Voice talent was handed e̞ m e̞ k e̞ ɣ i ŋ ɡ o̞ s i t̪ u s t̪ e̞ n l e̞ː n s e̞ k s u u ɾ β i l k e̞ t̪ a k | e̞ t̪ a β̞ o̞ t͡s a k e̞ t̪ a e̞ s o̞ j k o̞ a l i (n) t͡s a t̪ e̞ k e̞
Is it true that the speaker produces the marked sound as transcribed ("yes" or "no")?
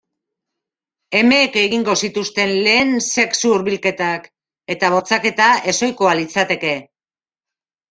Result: no